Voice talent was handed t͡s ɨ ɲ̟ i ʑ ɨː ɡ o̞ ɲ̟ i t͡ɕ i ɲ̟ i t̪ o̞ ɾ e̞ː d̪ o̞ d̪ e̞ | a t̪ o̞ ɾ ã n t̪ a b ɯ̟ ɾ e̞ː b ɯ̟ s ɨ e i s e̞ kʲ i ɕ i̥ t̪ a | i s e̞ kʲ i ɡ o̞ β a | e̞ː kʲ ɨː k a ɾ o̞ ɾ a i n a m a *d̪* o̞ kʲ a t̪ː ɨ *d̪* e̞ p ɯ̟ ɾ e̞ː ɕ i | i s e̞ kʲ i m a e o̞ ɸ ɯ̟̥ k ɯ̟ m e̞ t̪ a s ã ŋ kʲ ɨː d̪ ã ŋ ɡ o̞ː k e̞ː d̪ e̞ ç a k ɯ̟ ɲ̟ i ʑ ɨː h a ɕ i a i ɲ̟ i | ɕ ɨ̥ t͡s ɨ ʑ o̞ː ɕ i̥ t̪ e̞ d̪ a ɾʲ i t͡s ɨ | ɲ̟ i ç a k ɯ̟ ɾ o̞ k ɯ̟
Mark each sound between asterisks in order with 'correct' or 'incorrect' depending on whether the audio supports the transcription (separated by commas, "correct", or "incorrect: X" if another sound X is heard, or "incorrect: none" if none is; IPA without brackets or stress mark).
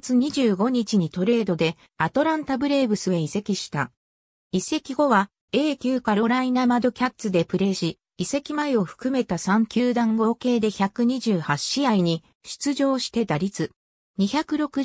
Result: correct, correct